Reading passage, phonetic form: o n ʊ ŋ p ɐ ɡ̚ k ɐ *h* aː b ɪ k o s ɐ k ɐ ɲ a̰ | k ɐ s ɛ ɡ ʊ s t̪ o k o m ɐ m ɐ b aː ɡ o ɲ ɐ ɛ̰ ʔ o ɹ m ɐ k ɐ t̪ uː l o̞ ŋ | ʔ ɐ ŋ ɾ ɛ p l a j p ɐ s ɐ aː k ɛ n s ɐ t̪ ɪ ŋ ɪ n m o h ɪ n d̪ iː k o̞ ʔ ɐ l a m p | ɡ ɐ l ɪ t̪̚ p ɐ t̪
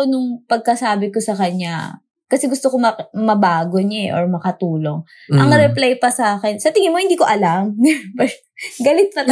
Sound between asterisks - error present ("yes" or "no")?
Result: yes